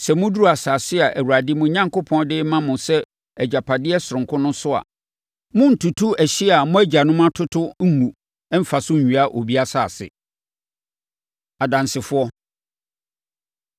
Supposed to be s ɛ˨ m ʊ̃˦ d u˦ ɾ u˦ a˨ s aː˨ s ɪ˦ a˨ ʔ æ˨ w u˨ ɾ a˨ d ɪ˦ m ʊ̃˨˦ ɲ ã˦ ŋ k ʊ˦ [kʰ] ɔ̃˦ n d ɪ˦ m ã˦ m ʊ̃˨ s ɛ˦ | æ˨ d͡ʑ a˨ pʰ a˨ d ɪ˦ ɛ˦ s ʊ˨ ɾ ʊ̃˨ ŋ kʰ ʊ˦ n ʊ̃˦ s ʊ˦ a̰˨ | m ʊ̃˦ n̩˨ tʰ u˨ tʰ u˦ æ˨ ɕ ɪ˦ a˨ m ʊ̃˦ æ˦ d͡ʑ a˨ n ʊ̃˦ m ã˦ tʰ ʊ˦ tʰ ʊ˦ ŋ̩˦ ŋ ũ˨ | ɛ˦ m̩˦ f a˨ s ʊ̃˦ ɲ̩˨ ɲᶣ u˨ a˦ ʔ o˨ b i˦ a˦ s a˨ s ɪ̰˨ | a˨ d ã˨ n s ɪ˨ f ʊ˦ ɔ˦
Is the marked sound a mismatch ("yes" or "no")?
yes